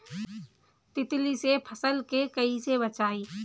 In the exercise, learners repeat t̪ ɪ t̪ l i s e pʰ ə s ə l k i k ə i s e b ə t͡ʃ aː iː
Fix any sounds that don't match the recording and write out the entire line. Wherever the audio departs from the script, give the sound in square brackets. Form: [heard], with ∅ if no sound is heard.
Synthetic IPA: t̪ ɪ t̪ l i s e pʰ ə s ə l k [e] k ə i s e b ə t͡ʃ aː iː